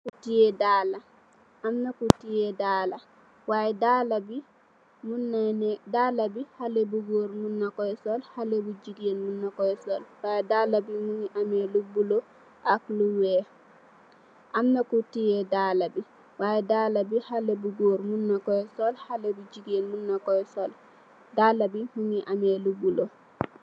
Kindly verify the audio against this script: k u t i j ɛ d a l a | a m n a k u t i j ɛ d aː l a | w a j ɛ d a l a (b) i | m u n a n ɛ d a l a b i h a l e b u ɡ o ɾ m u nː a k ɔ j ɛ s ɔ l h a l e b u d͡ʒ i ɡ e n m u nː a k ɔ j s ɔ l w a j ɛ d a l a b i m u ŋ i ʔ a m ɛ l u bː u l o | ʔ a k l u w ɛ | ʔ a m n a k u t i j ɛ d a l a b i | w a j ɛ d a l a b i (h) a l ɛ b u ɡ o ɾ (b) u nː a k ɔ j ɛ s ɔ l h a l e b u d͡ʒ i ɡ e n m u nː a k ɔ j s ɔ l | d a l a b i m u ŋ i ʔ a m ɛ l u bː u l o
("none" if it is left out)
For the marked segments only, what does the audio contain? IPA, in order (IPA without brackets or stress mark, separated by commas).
b, h, m